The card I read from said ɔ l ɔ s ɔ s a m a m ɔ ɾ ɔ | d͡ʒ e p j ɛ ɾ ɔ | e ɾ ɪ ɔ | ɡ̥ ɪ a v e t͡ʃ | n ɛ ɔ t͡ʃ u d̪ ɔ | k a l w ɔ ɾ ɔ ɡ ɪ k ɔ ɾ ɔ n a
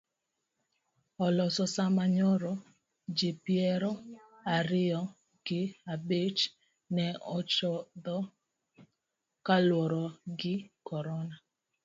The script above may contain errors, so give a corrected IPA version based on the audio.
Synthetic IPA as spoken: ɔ l ɔ s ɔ s a m a ɲ ɔ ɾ ɔ | d͡ʒ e p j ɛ ɾ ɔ | a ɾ ɪ ɔ | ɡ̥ ɪ a b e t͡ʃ | n ɛ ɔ t͡ʃ ɔ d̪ ɔ | k a l w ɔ ɾ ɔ ɡ ɪ k ɔ ɾ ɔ n a